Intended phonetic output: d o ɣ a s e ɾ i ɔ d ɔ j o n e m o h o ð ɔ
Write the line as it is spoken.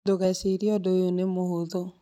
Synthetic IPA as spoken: d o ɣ a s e ɾ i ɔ d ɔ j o n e m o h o ð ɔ